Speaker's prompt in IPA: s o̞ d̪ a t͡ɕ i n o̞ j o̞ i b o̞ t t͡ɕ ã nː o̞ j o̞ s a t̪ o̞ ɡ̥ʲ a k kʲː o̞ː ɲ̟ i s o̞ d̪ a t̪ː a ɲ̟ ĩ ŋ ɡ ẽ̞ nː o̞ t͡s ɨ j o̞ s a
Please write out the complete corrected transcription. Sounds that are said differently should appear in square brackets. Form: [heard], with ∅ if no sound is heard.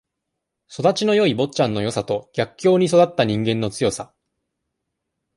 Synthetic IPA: s o̞ d̪ a t͡ɕ i n o̞ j o̞ i b o̞ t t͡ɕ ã nː o̞ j o̞ s a t̪ o̞ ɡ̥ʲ a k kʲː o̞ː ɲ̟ i s o̞ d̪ a t̪ː a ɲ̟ ĩ ŋ ɡ ẽ̞ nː o̞ t͡s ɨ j o̞ s a